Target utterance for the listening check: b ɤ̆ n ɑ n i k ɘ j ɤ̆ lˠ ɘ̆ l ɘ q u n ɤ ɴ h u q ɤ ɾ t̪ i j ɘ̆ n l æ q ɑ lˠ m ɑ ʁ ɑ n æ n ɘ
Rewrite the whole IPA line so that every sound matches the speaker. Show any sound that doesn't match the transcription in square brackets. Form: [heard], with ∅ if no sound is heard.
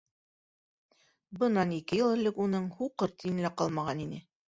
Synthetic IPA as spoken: b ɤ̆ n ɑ n i k ɘ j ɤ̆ lˠ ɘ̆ l ɘ [k] u n ɤ ɴ h u q ɤ ɾ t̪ i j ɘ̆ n l æ q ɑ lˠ m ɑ ʁ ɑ n [i] n ɘ

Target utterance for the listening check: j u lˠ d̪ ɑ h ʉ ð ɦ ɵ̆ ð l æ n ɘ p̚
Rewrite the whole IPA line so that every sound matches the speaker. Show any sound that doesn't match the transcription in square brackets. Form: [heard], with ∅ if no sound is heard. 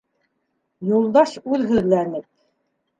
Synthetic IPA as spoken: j u lˠ d̪ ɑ [ʃ] ʉ ð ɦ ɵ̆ ð l æ n ɘ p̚

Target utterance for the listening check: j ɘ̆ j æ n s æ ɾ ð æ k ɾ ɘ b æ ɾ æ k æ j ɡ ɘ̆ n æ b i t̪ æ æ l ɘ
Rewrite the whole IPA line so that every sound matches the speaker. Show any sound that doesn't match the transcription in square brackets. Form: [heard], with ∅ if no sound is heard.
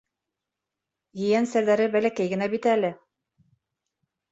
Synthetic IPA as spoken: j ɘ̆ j æ n s æ ɾ ð æ [∅] ɾ ɘ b æ [l] æ k æ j ɡ ɘ̆ n æ b i t̪ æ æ l ɘ

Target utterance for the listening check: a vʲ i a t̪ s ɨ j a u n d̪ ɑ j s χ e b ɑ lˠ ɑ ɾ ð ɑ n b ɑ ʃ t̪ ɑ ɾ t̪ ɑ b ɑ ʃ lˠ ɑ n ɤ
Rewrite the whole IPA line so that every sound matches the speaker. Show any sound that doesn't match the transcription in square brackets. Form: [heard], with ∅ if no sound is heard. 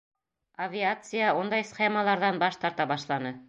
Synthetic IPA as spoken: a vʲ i a t̪ s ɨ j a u n d̪ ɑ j s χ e [m] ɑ lˠ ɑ ɾ ð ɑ n b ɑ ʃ t̪ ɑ ɾ t̪ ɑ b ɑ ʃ lˠ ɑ n ɤ

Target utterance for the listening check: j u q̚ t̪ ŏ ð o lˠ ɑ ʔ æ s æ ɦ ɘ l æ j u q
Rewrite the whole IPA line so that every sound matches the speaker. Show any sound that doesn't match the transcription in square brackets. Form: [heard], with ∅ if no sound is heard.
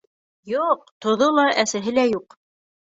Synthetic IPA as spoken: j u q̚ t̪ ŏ ð o lˠ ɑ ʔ æ s æ ɦ ɘ l æ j u q

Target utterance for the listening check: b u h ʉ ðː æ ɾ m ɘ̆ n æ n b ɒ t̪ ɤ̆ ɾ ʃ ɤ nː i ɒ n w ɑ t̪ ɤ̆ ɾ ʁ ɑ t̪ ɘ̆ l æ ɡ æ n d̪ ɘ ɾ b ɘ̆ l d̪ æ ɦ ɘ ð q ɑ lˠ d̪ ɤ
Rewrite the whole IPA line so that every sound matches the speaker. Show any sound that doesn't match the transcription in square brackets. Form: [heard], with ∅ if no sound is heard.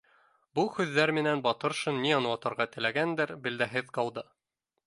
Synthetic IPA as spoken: b u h ʉ ðː æ ɾ m ɘ̆ n æ n b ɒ t̪ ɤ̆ ɾ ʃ ɤ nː i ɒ n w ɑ t̪ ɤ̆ ɾ ʁ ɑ t̪ ɘ̆ l æ ɡ æ n d̪ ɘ ɾ b ɘ̆ l d̪ æ ɦ ɘ ð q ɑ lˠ d̪ ɤ

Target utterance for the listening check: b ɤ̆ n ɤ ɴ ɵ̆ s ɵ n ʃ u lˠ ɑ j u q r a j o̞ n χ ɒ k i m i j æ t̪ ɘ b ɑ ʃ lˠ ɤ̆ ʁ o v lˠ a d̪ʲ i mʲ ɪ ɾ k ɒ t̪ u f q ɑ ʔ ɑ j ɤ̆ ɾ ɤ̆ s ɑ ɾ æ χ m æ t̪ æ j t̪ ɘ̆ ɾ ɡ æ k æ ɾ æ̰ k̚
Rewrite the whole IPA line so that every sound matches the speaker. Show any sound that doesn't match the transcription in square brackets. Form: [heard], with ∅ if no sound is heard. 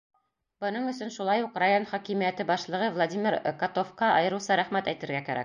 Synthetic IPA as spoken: b ɤ̆ n ɤ ɴ ɵ̆ s ɵ n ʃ u lˠ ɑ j u q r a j o̞ n χ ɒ k i m i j æ t̪ ɘ b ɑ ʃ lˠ ɤ̆ ʁ [ɤ] v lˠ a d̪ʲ i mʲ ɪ ɾ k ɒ t̪ [o] f q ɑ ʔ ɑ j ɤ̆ ɾ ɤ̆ s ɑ ɾ æ χ m æ t̪ æ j t̪ ɘ̆ ɾ ɡ æ k æ ɾ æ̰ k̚

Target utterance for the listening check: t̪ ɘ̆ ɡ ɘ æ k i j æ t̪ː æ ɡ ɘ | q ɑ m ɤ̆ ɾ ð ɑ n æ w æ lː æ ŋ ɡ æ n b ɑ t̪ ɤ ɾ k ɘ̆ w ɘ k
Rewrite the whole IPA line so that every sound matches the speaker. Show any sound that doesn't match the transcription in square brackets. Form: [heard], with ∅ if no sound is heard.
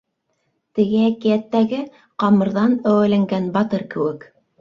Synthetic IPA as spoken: t̪ ɘ̆ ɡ ɘ æ k i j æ t̪ː æ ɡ ɘ | q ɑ m ɤ̆ ɾ ð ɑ n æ w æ [l] æ ŋ ɡ æ n b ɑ t̪ ɤ ɾ k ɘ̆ w ɘ k

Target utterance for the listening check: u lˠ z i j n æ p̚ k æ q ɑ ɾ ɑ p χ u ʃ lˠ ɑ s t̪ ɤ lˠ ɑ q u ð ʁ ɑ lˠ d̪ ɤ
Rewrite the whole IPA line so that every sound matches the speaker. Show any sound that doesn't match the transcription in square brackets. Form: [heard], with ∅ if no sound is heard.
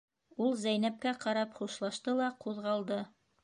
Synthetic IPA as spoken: u lˠ z [æ] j n æ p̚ k æ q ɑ ɾ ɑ p χ u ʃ lˠ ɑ [ʃ] t̪ ɤ lˠ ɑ q u ð ʁ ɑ lˠ d̪ ɤ

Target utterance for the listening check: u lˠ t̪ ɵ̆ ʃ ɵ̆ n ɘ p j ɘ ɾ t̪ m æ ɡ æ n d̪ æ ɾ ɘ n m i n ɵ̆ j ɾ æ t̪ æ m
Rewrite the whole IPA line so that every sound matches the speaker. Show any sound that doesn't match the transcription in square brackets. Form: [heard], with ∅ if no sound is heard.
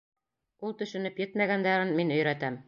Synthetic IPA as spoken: u lˠ t̪ ɵ̆ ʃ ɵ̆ n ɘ p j ɘ [∅] t̪ m æ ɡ æ n d̪ æ ɾ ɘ n m i n ɵ̆ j ɾ æ t̪ æ m

